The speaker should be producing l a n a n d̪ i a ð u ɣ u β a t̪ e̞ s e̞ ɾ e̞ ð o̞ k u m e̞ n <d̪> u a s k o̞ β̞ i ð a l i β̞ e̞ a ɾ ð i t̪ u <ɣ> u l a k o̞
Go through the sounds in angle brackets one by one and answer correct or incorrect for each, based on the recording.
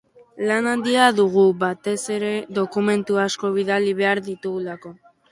incorrect: t̪, correct

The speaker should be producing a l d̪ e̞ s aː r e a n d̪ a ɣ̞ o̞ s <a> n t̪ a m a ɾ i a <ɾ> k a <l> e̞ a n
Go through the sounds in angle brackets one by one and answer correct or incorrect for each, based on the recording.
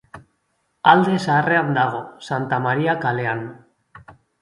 correct, incorrect: none, correct

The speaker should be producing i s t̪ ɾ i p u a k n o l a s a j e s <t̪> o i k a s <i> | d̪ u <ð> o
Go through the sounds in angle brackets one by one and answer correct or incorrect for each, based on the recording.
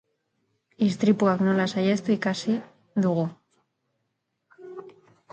correct, correct, incorrect: ɣ

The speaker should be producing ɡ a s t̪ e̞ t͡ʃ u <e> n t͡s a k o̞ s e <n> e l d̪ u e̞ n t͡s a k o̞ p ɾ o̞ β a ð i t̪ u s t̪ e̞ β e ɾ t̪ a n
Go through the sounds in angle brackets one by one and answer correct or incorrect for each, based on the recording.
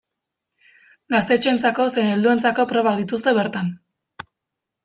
correct, correct

